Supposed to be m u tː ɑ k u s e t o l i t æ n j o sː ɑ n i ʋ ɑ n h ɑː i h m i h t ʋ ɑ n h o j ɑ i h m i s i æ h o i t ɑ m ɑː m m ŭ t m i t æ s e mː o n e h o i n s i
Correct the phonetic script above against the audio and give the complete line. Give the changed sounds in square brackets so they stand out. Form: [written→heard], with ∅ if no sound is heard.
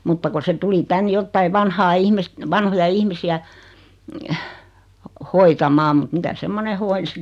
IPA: m u tː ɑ k u s e t [o→u] l i t æ n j o [sː→tː] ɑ [n→∅] i ʋ ɑ n h ɑː i h m i [h→s] t ʋ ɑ n h o j ɑ i h m i s i æ h o i t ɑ m ɑː m m ŭ t m i t æ s e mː o n e h o i n s i